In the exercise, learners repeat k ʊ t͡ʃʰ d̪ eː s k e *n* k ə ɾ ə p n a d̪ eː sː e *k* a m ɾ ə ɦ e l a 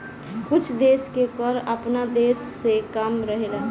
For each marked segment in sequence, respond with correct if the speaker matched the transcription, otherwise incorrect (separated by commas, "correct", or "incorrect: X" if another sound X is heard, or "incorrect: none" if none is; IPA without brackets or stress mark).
incorrect: none, correct